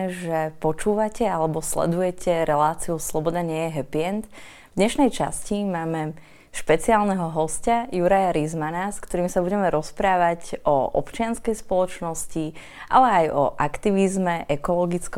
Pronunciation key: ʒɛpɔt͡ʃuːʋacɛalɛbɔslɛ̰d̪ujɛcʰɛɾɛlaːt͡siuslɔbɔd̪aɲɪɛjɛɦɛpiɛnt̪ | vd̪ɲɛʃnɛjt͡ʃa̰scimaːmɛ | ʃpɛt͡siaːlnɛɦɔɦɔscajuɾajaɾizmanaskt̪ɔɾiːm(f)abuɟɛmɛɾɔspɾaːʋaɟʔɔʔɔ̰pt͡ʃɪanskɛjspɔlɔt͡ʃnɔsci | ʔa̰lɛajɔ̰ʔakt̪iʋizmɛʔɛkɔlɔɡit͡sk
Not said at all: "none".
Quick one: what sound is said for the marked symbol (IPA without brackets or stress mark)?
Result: s